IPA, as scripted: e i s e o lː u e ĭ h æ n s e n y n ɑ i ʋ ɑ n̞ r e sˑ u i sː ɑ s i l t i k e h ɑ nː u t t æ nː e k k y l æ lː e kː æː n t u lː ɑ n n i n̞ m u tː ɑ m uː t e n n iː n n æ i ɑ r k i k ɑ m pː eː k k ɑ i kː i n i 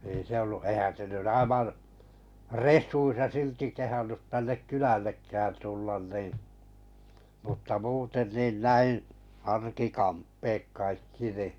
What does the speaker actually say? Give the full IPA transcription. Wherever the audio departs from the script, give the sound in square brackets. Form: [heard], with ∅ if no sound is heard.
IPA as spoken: e i s e o lː u e ĭ h æ n s e n y n ɑ i ʋ ɑ n̞ r e sˑ u i sː ɑ s i l t i k e h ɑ nː u t t æ nː e k k y l æ lː e kː æː n t u lː ɑ n n i n̞ m u tː ɑ m uː t e n n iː n n æ i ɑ r k i k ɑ m pː eː k k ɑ i kː i n i